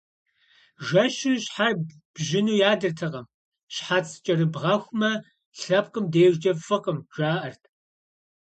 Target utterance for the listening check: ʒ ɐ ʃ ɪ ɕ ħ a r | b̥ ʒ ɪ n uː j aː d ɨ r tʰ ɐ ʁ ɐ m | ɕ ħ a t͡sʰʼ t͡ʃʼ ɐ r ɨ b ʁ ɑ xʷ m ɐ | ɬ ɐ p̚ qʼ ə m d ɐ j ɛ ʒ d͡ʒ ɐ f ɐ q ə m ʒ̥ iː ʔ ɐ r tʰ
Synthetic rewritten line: ʒ ɐ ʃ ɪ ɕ ħ a r | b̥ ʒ ɪ n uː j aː d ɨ r tʰ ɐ ʁ ɐ m | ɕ ħ a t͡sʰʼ t͡ʃʼ ɐ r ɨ b ʁ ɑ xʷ m ɐ | ɬ ɐ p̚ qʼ ə m d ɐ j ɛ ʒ d͡ʒ ɐ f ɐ q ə m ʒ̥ aː ʔ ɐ r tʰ